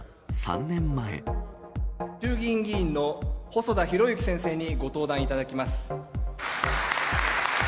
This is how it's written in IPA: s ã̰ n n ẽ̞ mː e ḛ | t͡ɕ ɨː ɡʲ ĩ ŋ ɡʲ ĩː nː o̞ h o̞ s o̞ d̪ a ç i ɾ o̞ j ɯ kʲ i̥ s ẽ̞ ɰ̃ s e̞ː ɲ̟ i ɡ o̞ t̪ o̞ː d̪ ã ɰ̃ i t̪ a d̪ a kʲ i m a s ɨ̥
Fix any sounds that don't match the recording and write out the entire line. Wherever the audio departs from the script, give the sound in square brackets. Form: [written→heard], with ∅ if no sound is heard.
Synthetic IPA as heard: s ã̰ n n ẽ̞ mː [e→a] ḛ | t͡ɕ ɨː ɡʲ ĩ ŋ ɡʲ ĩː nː o̞ h o̞ s o̞ d̪ a ç i ɾ o̞ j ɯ kʲ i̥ s ẽ̞ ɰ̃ s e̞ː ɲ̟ i ɡ o̞ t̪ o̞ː d̪ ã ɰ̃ i t̪ a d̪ a kʲ i m a s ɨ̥